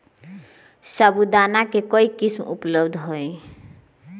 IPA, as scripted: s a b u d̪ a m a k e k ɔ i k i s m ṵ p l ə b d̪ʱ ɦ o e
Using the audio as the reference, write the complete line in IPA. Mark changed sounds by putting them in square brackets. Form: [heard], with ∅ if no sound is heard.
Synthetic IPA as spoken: s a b u d̪ a [n] a k e k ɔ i k i s m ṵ p l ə b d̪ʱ ɦ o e